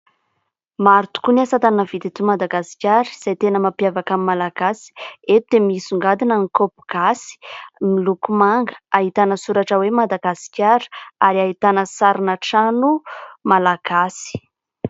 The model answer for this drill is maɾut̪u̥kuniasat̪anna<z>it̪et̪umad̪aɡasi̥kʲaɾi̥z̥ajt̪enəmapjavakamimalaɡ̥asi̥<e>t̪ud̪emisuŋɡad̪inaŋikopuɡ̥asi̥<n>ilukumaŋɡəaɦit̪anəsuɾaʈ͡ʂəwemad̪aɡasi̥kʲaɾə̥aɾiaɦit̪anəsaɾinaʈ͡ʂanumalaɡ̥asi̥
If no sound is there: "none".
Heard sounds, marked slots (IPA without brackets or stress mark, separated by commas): v, e, m